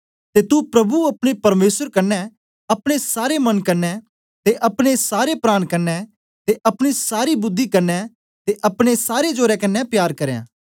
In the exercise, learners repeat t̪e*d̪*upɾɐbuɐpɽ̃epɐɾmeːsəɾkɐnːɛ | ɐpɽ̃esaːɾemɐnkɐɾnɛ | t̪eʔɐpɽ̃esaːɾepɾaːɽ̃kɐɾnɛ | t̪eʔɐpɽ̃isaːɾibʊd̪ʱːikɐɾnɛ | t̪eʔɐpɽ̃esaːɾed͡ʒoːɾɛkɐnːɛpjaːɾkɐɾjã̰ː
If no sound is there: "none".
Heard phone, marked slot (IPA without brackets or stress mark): t̪